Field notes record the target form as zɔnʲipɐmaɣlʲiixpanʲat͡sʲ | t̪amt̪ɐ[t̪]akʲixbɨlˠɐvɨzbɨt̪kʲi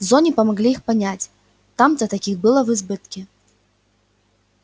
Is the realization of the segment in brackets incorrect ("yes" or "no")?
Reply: no